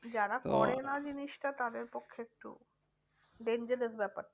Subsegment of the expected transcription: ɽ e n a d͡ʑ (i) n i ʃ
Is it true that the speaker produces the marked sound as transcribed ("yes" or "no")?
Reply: yes